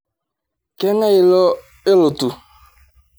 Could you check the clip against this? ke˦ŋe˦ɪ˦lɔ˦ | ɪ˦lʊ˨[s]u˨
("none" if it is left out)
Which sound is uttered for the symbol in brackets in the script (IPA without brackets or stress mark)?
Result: t